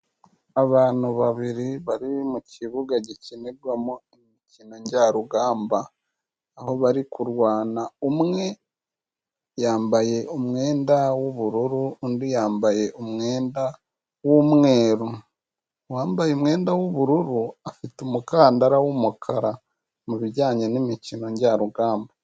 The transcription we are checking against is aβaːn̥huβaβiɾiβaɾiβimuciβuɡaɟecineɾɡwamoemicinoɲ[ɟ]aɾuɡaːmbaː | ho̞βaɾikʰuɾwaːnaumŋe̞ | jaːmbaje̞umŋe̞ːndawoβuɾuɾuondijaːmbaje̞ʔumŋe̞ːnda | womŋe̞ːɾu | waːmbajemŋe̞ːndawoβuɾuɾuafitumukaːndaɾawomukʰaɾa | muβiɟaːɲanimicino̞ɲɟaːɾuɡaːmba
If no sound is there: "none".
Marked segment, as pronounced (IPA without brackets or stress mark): ɟ